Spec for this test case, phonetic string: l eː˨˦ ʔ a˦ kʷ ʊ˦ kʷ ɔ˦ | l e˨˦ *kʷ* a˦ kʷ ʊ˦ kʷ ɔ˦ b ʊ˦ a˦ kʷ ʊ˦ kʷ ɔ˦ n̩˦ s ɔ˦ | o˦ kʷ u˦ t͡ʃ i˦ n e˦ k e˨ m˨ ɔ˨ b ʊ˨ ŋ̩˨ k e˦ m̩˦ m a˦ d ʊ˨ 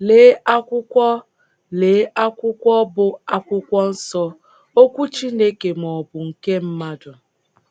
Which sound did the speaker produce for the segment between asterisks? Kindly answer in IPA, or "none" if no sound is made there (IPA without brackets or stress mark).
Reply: none